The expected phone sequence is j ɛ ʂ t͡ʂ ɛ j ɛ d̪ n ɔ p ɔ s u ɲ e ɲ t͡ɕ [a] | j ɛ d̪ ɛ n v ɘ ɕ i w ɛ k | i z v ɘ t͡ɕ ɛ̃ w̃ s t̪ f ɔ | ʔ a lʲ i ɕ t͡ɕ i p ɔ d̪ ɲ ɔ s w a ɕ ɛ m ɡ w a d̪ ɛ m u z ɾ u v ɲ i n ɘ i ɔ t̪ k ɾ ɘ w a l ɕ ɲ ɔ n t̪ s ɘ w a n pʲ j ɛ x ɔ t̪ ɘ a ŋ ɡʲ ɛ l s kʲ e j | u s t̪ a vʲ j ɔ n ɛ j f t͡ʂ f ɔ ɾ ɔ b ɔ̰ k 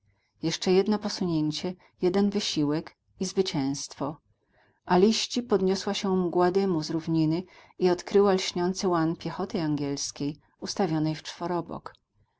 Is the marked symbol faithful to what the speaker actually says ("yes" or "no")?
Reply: no